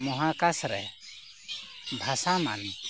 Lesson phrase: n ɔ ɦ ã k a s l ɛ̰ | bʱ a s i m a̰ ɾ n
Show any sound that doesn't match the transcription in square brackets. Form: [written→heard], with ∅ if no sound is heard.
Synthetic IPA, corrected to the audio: [n→m] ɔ ɦ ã k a s [l→ɾ] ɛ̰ | bʱ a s [i→a] m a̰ [ɾ→∅] n